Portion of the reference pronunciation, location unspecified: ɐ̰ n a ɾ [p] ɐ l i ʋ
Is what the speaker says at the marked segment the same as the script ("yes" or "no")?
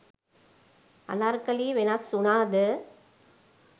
no